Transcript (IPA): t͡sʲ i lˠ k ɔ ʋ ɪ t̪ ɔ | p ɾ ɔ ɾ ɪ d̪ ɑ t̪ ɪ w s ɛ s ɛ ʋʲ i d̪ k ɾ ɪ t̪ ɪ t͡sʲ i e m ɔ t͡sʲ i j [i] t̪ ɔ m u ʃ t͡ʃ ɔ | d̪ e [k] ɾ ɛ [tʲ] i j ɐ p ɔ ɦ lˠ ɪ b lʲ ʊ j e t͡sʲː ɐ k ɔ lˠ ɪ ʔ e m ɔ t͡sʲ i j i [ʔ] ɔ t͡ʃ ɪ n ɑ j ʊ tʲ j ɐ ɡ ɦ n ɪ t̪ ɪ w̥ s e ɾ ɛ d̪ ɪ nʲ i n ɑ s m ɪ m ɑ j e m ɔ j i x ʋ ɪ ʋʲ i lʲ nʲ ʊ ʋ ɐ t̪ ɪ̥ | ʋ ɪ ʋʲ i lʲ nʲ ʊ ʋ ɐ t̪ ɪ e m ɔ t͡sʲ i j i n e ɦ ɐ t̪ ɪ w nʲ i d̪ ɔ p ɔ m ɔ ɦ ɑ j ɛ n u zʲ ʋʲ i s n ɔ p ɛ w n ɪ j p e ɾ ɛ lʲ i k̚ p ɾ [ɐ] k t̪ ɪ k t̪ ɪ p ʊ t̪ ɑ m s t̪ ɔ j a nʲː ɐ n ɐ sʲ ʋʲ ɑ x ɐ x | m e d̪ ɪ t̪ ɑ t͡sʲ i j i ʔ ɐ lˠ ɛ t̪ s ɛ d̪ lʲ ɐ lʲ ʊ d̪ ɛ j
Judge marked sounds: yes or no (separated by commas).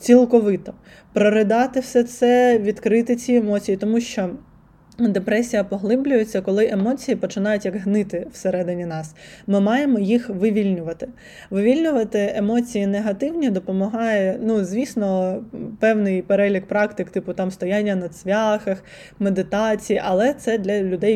yes, no, no, no, no